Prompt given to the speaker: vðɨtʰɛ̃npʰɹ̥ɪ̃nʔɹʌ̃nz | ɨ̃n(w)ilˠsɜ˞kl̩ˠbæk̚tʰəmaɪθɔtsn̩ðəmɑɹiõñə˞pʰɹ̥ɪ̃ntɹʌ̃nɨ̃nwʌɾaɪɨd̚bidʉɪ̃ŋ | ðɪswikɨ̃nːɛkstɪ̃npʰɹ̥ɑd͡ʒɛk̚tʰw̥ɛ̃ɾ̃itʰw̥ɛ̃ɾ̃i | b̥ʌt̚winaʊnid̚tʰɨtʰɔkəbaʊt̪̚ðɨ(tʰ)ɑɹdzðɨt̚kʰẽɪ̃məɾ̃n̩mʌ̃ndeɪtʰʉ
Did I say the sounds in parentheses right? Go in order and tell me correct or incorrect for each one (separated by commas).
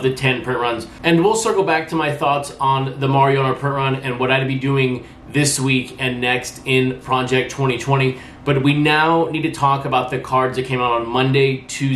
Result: correct, incorrect